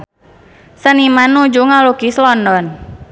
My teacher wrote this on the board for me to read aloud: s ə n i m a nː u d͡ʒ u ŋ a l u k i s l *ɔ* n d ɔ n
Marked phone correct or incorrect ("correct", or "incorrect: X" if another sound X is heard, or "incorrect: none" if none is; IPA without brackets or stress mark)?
correct